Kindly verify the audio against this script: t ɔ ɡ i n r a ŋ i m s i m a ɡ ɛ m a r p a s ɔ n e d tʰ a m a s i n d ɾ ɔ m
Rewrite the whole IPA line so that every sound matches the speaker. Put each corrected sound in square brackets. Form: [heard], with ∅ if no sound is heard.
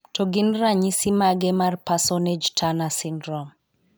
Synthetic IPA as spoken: t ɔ ɡ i n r a [ɲ] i [∅] s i m a ɡ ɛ m a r p a s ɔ n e [d͡ʒ] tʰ a [n] a s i n d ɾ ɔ m